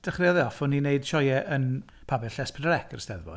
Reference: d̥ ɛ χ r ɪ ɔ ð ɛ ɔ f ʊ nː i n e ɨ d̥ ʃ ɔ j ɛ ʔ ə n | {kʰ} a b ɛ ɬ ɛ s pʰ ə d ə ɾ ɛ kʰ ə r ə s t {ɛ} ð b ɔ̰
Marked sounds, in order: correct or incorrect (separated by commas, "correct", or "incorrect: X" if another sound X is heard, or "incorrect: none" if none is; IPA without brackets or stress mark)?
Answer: incorrect: pʰ, correct